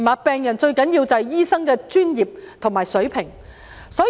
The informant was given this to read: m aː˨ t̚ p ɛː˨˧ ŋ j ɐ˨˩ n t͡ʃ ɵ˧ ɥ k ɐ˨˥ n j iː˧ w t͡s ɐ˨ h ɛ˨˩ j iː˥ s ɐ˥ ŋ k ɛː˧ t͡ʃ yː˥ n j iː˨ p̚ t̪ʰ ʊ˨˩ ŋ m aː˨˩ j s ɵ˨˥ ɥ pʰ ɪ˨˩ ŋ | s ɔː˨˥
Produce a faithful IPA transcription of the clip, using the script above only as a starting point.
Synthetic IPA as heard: m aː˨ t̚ p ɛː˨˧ ŋ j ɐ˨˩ n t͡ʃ ɵ˧ ɥ k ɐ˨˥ n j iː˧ w t͡s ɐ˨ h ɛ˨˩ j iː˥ s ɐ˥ ŋ k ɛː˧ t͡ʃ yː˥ n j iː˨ p̚ t̪ʰ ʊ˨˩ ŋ m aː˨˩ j s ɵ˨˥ ɥ pʰ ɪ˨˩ ŋ | s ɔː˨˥